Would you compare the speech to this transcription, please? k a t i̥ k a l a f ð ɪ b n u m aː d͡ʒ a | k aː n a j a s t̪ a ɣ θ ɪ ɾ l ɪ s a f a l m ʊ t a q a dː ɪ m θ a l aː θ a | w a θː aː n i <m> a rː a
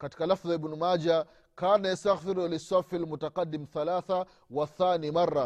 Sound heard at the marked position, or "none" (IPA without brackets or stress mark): m